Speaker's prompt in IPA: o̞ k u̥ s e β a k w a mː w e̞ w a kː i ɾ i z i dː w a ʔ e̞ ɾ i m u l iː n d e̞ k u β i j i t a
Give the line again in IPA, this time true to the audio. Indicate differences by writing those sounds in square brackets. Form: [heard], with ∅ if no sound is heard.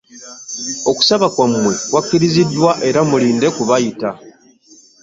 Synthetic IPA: o̞ k u̥ s [a] β a k w a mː w e̞ w a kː i ɾ i z i dː w a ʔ e̞ ɾ [a] m u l iː n d e̞ k u β [a] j i t a